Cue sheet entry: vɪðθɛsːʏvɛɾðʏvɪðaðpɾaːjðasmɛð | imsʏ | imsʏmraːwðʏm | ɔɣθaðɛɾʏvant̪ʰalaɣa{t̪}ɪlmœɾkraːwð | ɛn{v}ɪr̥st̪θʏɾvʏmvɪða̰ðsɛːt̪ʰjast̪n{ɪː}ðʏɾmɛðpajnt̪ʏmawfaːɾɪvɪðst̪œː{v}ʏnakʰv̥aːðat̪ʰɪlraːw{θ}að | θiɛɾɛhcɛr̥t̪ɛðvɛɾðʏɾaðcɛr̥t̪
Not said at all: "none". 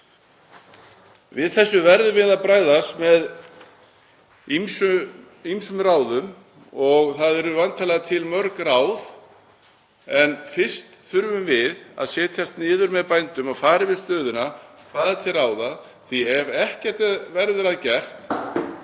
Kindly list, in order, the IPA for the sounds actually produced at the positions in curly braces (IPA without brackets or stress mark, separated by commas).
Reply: t̪ʰ, f, ɪː, ð, ð